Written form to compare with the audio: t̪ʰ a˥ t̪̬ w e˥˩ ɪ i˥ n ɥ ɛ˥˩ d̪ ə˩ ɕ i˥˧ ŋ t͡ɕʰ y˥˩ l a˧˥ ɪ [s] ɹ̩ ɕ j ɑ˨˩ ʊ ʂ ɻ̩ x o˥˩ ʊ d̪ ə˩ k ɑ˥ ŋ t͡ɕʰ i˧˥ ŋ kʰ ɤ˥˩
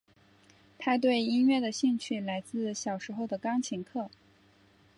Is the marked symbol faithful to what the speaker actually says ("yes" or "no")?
no